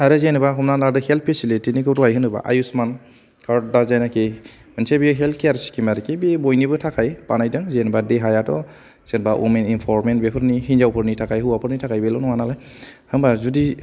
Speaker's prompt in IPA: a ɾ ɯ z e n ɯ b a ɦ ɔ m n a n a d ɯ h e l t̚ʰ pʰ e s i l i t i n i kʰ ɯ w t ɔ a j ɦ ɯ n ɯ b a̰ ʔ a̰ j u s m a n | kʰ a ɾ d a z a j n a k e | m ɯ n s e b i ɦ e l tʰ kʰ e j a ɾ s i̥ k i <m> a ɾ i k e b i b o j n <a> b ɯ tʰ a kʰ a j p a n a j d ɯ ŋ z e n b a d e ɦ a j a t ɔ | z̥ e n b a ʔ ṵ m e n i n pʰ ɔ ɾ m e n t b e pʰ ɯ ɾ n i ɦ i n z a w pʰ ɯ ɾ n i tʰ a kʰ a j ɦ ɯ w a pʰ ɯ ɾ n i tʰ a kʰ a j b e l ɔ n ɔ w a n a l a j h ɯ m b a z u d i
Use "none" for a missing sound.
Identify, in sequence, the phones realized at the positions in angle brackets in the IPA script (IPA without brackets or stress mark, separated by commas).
m, i